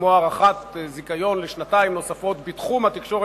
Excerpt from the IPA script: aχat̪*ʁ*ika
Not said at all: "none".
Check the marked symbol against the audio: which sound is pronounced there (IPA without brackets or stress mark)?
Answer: z